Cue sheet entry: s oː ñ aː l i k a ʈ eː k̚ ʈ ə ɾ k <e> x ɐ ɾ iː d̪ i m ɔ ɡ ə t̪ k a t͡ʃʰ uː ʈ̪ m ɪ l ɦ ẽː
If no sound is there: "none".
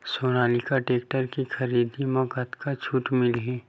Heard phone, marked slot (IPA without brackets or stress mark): i